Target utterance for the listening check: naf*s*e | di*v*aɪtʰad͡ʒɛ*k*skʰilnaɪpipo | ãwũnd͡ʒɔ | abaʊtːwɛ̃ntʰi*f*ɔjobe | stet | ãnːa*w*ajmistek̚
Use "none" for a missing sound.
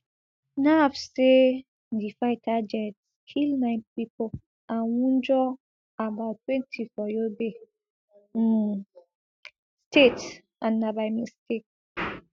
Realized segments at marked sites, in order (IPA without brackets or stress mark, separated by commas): s, f, t, f, b